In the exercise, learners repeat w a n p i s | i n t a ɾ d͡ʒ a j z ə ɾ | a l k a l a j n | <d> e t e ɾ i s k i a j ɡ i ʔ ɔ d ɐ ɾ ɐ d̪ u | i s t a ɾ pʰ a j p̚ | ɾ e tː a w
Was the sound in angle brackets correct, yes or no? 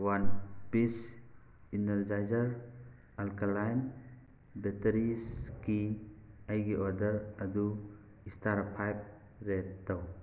no